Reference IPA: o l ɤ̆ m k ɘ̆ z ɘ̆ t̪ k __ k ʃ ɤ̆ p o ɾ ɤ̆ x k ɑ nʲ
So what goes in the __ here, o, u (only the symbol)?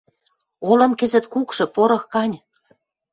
u